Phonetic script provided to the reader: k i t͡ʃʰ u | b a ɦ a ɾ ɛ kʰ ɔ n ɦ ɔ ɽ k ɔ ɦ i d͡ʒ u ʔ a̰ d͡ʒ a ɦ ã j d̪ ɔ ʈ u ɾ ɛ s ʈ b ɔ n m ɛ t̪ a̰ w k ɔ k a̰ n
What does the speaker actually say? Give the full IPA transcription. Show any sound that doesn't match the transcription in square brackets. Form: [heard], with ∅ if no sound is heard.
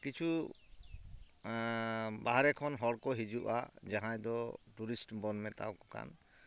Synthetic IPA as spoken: k i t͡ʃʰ u | b a ɦ a ɾ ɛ kʰ ɔ n ɦ ɔ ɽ k ɔ ɦ i d͡ʒ u ʔ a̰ d͡ʒ a ɦ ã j d̪ ɔ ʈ u ɾ [i] s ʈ b ɔ n m ɛ t̪ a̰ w k ɔ k a̰ n

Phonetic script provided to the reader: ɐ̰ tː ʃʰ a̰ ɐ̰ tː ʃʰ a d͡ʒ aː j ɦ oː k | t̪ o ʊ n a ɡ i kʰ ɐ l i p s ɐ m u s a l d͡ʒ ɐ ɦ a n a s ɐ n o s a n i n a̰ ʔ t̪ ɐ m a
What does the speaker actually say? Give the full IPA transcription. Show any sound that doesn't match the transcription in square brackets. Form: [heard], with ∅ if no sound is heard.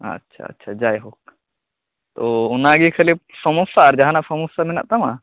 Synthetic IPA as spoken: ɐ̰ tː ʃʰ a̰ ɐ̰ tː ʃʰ a d͡ʒ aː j ɦ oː k | t̪ o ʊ n a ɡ i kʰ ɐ l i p s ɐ m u s a [ɾ] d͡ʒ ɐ ɦ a n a s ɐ [m] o s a [m] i n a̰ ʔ t̪ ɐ m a

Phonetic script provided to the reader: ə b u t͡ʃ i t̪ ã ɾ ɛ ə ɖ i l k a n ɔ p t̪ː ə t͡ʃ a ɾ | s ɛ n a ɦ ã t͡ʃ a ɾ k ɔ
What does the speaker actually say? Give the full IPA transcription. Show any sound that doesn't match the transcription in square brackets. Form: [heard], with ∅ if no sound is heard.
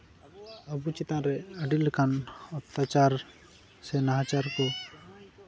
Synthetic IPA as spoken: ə b u t͡ʃ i t̪ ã ɾ ɛ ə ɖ i l k a n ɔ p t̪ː [a] t͡ʃ a ɾ | s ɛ n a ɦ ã t͡ʃ a ɾ k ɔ

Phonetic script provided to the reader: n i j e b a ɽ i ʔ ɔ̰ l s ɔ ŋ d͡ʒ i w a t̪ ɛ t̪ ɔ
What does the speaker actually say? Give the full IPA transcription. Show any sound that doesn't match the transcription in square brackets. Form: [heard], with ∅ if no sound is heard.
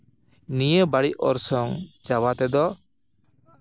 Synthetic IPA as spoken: n i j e b a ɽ i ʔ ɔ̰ [ɾ] s ɔ ŋ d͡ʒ [a] w a t̪ ɛ [d̪] ɔ

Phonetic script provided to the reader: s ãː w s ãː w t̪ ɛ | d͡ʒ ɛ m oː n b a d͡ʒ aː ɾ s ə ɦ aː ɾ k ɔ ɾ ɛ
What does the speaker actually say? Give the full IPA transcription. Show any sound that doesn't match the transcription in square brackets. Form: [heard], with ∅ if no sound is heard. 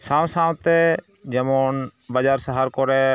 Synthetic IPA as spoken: s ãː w s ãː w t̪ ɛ | d͡ʒ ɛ m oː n b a d͡ʒ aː ɾ s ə ɦ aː ɾ k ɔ ɾ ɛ

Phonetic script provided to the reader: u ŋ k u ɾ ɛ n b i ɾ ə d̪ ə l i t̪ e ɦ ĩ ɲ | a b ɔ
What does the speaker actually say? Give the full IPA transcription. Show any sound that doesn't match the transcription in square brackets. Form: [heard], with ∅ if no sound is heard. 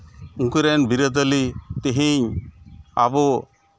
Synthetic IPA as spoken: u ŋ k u ɾ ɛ n b i ɾ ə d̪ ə l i t̪ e ɦ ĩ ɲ | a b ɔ

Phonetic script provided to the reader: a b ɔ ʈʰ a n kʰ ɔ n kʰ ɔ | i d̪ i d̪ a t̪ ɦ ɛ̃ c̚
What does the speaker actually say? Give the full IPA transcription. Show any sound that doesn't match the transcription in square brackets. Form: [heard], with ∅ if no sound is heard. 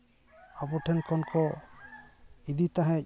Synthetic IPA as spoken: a b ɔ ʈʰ [ɛ] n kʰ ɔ n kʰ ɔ | i d̪ i [t̪] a [∅] ɦ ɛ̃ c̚

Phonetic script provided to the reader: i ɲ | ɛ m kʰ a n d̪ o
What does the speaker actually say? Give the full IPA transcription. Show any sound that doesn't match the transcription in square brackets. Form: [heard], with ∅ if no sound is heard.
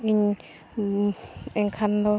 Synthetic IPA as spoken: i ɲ | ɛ [ŋ] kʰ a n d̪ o

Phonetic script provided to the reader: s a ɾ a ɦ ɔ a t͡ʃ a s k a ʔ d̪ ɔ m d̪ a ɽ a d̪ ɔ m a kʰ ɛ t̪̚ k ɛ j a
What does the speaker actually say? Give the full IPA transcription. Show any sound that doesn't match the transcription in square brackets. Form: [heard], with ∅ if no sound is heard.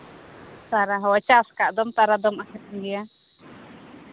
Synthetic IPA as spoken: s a ɾ a ɦ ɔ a t͡ʃ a s k a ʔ d̪ ɔ m [t̪] a [ɾ] a d̪ ɔ m a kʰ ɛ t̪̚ [ɡ] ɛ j a

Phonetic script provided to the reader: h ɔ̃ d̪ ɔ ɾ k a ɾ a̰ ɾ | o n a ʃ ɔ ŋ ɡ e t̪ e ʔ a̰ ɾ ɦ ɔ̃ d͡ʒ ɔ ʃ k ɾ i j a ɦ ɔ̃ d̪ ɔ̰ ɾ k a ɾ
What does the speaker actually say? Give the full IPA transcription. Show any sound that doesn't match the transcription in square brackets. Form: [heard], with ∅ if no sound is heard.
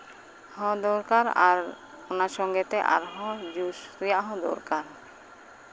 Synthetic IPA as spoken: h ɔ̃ d̪ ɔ ɾ k a ɾ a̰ ɾ | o n a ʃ ɔ ŋ ɡ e t̪ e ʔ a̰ ɾ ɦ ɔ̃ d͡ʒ [u] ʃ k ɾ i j a ɦ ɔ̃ d̪ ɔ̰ ɾ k a ɾ

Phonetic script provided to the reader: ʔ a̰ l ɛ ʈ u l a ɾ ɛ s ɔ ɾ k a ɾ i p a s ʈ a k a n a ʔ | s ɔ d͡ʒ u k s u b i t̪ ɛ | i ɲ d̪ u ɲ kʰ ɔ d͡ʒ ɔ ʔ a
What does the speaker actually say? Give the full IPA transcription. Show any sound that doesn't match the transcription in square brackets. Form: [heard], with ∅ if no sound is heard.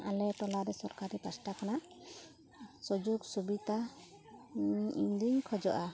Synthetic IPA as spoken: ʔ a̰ l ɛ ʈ [ɔ] l a ɾ ɛ s ɔ ɾ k a ɾ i p a s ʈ a k a n a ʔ | s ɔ d͡ʒ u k s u b i t̪ [a] | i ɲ d̪ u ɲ kʰ ɔ d͡ʒ ɔ ʔ a

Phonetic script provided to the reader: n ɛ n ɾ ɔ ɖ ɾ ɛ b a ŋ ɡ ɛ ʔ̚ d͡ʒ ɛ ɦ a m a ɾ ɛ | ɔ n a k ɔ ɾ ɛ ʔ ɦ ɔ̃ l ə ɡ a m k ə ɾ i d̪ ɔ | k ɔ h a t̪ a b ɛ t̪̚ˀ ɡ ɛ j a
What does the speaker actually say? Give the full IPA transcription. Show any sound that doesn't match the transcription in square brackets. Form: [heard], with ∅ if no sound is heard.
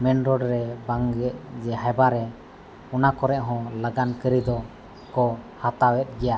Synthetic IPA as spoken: [m] ɛ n ɾ ɔ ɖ ɾ ɛ b a ŋ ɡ ɛ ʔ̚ d͡ʒ ɛ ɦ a [b] a ɾ ɛ | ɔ n a k ɔ ɾ ɛ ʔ ɦ ɔ̃ l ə ɡ a [n] k ə ɾ i d̪ ɔ | k ɔ h a t̪ a [w] ɛ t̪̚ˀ ɡ ɛ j a

